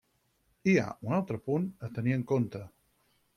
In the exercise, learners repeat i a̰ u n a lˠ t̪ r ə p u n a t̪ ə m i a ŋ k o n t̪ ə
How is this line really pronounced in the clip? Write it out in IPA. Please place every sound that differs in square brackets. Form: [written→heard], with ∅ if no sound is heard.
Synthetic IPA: i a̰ u n a lˠ t̪ [r→ɾ] ə p u n [a→ə] t̪ ə [m→n] i [a→ə] ŋ k o n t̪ ə